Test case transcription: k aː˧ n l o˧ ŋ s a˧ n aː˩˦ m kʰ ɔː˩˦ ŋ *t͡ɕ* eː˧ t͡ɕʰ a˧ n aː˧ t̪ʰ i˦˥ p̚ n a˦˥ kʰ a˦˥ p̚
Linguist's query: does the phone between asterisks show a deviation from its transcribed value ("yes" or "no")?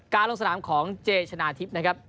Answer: no